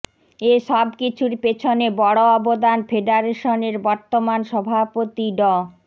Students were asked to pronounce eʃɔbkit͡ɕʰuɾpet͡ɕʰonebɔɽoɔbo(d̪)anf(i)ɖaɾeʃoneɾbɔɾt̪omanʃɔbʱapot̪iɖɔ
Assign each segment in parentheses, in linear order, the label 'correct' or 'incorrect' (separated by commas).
correct, incorrect